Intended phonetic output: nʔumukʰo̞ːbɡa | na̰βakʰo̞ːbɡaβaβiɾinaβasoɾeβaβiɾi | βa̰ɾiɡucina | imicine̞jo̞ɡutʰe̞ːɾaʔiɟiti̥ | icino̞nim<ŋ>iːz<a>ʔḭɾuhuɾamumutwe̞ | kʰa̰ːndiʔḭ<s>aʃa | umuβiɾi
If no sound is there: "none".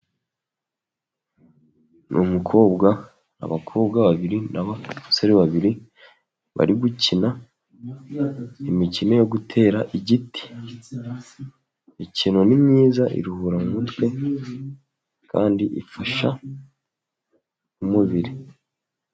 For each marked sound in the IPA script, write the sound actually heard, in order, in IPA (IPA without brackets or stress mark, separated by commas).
ɲ, a, f